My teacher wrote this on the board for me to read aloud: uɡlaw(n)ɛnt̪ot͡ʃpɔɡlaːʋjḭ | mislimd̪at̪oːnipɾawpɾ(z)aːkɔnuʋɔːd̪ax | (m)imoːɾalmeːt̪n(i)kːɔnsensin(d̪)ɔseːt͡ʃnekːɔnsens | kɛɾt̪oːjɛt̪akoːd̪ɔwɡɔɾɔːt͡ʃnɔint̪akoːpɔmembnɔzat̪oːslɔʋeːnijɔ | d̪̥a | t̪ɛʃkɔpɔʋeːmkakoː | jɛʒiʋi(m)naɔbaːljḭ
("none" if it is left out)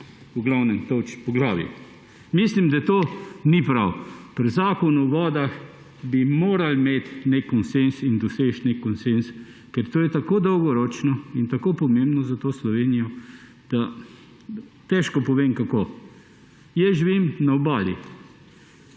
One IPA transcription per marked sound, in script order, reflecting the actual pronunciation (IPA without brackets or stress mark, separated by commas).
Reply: n, z, b, e, d̪, m